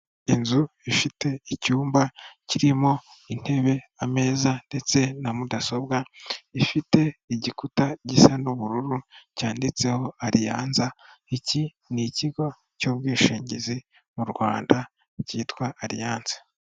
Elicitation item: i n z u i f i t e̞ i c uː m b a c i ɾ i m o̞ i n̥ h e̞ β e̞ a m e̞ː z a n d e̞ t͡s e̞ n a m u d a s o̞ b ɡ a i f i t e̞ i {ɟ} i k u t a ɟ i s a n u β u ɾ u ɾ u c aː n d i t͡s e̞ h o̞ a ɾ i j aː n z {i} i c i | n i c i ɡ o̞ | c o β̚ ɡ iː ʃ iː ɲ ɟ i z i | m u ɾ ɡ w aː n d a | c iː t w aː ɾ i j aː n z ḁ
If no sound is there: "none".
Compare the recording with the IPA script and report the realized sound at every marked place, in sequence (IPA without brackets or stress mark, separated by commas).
ɟ, a